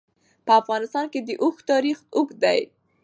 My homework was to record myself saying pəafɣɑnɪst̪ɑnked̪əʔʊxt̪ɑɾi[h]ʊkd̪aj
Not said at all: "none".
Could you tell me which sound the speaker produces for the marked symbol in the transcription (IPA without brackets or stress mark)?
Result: x